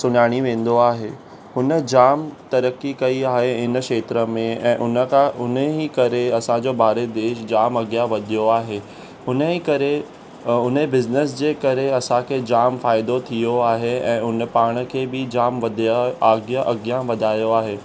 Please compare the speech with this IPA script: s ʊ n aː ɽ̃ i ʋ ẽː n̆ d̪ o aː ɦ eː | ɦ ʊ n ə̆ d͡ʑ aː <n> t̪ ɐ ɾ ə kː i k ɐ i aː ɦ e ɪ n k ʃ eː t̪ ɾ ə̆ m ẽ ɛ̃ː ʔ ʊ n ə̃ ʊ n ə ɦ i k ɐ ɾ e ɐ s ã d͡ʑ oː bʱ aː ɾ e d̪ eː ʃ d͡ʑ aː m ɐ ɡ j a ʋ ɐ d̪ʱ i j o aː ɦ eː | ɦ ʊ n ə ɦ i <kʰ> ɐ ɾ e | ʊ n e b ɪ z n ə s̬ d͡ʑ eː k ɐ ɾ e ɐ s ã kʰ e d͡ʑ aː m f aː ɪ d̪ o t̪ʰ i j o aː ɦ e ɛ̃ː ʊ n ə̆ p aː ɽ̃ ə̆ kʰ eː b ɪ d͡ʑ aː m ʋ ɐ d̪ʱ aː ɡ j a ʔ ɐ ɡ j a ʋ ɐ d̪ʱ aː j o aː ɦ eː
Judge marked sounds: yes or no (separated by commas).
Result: no, no